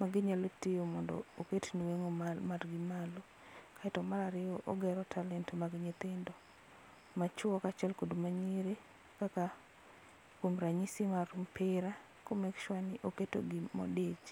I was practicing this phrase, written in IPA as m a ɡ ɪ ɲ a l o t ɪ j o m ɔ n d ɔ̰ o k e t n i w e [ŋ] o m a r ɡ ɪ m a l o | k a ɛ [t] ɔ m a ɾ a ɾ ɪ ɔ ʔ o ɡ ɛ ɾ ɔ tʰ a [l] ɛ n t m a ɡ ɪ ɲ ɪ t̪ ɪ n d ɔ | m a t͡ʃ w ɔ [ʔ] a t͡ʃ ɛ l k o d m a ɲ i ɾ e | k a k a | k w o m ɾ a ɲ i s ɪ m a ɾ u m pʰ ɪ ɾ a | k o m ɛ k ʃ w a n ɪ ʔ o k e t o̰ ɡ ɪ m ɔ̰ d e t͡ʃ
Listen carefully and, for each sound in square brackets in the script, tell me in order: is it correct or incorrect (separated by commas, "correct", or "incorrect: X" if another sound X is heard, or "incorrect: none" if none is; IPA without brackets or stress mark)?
correct, correct, correct, incorrect: k